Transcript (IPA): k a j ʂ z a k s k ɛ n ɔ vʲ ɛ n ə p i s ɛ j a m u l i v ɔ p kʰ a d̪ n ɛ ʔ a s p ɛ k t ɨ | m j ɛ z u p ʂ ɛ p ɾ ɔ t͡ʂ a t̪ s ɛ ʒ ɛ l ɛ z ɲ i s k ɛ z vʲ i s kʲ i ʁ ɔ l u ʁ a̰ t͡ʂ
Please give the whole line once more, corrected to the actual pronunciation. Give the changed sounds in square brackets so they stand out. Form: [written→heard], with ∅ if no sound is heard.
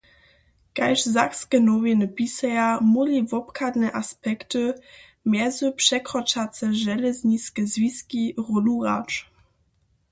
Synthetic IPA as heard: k a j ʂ z a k s k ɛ n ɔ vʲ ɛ n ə p i s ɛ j a m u l i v ɔ p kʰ a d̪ n ɛ ʔ a s p ɛ k t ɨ | m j ɛ z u p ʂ ɛ [p→k] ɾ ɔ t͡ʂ a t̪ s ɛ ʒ ɛ l ɛ z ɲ i s k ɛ z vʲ i s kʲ i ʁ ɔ l u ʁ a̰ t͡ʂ